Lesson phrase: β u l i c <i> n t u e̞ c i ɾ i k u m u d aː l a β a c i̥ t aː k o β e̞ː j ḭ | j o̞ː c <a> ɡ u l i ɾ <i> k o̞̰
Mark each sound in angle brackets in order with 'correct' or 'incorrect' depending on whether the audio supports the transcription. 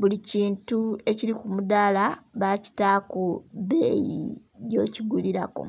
incorrect, incorrect, incorrect

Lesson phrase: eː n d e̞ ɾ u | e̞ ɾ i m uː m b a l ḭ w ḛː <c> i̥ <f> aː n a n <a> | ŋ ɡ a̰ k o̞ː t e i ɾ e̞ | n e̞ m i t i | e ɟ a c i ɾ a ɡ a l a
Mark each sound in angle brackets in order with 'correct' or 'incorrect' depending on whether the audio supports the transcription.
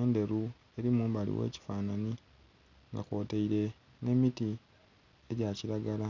correct, correct, incorrect

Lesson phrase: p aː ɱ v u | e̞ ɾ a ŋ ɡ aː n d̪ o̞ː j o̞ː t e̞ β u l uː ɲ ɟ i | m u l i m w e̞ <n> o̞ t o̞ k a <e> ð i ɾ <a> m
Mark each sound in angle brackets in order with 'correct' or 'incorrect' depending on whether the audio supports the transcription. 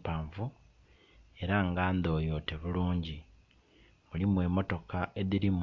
incorrect, correct, incorrect

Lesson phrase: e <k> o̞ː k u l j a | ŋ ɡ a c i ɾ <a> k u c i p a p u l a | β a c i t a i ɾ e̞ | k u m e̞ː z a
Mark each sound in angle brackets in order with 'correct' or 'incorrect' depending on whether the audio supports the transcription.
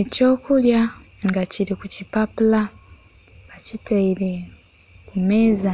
incorrect, incorrect

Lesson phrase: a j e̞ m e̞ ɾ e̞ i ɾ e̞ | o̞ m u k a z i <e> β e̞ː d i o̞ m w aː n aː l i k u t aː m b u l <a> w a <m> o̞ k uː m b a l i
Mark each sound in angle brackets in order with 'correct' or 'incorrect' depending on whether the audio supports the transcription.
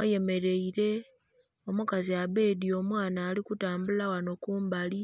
incorrect, correct, incorrect

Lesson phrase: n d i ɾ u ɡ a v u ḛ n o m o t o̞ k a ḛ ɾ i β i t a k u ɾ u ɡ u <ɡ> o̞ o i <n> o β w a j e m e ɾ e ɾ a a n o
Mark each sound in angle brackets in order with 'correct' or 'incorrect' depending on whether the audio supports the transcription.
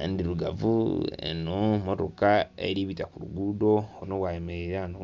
incorrect, correct

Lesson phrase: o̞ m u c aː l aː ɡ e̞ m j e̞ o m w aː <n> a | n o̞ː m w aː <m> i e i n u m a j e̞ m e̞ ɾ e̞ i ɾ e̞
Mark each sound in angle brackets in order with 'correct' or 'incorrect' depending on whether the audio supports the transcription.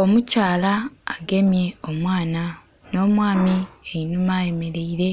correct, correct

